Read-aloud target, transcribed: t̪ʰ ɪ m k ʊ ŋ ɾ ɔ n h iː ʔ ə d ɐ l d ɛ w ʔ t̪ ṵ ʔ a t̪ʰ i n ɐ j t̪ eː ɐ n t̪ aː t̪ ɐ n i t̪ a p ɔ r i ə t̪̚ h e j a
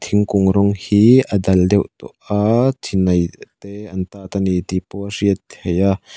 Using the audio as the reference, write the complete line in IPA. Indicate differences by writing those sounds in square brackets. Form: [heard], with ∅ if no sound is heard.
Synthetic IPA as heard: t̪ʰ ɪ [ŋ] k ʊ ŋ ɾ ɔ [ŋ] h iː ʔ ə d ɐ l d ɛ w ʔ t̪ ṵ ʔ a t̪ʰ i n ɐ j t̪ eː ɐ n t̪ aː t̪ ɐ n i t̪ [i] p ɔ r i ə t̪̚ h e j a